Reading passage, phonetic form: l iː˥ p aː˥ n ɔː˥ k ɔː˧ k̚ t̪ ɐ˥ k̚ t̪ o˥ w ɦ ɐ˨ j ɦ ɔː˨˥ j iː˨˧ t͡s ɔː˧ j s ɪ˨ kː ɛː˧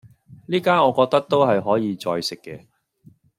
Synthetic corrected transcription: l iː˥ k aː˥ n ɔː˨˧ k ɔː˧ k̚ t̪ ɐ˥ k̚ t̪ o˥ w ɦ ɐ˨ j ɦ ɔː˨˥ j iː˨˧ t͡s ɔː˧ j s ɪ˨ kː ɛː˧